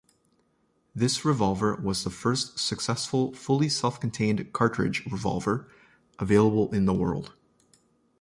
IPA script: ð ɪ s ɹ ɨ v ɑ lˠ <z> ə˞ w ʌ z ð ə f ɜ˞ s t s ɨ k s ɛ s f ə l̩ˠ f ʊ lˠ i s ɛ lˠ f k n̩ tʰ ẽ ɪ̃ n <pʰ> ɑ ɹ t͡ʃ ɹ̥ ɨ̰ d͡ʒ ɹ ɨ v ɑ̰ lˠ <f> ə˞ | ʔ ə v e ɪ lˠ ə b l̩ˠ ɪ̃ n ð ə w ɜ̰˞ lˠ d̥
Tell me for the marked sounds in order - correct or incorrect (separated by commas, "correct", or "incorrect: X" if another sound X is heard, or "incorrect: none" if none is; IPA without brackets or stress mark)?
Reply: incorrect: v, incorrect: kʰ, incorrect: v